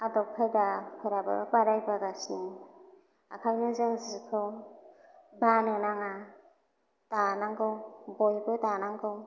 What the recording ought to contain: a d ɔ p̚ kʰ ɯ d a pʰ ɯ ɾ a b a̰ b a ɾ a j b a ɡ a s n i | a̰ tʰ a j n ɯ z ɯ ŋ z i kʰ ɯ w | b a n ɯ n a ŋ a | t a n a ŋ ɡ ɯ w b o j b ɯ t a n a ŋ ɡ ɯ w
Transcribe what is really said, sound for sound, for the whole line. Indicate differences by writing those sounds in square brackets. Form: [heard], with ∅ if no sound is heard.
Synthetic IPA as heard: a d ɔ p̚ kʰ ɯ d a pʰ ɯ ɾ a b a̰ b a ɾ a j b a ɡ a s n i | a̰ [kʰ] a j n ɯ z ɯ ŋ z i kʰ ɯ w | b a n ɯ n a ŋ a | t a n a ŋ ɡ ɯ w b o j b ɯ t a n a ŋ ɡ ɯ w